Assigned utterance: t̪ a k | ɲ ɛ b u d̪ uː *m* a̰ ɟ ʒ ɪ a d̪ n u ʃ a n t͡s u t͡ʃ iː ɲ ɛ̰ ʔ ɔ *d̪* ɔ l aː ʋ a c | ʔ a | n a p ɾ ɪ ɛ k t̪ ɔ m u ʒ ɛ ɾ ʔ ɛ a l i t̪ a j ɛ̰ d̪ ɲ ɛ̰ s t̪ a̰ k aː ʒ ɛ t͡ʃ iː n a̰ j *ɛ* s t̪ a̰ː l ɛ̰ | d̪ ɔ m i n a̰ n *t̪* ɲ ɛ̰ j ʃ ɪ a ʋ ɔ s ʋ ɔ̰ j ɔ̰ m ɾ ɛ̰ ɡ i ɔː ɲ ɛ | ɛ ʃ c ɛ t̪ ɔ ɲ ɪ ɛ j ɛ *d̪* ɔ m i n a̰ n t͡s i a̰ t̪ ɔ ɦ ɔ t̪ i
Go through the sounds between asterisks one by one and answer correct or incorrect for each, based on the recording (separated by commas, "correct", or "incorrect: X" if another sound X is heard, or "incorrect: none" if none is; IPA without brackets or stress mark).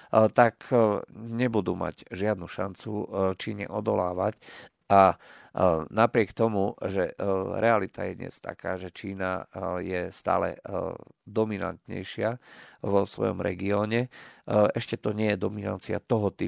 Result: correct, correct, correct, correct, correct